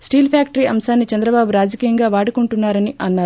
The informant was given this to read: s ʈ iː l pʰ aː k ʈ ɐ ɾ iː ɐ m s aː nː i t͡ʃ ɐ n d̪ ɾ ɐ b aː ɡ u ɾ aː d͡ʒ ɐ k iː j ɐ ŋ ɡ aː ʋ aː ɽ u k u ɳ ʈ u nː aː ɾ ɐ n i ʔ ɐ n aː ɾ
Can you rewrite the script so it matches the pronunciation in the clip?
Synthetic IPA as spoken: s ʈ iː l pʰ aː k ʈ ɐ ɾ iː ɐ m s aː nː i t͡ʃ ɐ n d̪ ɾ ɐ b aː b u ɾ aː d͡ʒ ɐ k iː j ɐ ŋ ɡ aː ʋ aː ɽ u k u ɳ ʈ u nː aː ɾ ɐ n i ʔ ɐ nː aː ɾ